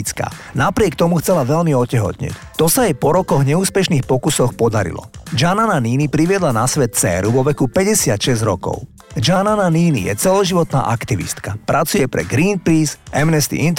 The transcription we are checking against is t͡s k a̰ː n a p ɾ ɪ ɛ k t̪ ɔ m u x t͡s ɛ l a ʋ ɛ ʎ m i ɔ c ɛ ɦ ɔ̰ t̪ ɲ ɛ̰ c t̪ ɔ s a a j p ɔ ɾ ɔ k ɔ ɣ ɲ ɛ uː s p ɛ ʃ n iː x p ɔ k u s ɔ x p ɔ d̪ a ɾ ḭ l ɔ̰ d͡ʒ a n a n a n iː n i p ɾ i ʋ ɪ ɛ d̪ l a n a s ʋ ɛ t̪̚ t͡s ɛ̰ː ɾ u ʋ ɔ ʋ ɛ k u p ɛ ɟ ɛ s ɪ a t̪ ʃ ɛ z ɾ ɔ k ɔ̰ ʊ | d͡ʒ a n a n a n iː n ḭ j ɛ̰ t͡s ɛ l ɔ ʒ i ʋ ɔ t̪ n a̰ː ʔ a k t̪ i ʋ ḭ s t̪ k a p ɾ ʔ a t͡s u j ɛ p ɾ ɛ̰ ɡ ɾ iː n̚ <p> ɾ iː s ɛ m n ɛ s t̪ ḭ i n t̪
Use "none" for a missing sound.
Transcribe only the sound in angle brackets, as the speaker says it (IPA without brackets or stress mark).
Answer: p